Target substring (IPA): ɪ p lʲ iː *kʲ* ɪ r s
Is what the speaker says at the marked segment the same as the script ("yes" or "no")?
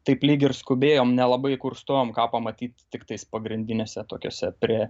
no